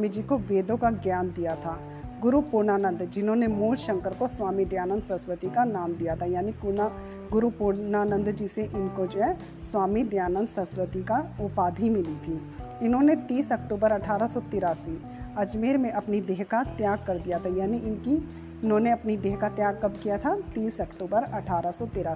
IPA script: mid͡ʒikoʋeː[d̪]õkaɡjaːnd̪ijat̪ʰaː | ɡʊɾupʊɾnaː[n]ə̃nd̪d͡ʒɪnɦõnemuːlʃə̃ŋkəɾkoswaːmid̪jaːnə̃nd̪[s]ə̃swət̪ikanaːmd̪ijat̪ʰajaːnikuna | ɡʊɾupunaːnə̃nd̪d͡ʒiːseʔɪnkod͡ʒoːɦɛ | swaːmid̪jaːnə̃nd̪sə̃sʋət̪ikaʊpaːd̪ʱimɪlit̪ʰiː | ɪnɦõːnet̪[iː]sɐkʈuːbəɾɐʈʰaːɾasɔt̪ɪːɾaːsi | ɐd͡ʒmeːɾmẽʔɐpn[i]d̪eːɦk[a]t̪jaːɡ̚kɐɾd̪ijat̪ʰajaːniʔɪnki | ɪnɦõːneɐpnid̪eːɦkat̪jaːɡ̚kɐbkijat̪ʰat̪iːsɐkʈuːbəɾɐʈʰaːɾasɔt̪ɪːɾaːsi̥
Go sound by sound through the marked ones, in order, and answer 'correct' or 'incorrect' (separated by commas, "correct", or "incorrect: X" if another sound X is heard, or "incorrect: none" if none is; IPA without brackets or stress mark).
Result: correct, correct, correct, correct, correct, correct